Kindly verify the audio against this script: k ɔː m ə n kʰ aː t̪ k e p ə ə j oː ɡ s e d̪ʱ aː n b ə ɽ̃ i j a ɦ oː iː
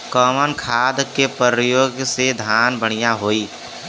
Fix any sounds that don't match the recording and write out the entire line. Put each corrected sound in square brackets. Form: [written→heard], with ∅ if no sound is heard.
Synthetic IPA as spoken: k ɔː m ə n kʰ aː [t̪→d̪] k e p ə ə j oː ɡ s e d̪ʱ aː n b ə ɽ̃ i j a ɦ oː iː